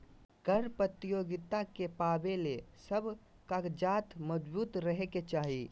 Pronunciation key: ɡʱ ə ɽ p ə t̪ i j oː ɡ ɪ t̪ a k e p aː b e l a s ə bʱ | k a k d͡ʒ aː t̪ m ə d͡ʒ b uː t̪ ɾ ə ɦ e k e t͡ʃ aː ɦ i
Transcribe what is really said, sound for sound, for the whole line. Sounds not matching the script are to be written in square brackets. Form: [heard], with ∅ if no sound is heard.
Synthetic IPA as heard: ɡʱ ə [ɾ] p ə t̪ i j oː ɡ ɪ t̪ a k e p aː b e l [e] s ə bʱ | k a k d͡ʒ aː t̪ m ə d͡ʒ b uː t̪ ɾ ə ɦ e k e t͡ʃ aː ɦ i